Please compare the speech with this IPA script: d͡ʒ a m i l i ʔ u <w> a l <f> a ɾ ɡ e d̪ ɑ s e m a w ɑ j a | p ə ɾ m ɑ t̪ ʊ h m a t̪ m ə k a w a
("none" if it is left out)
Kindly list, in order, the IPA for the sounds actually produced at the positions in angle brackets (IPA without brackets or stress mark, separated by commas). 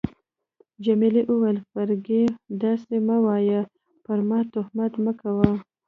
w, f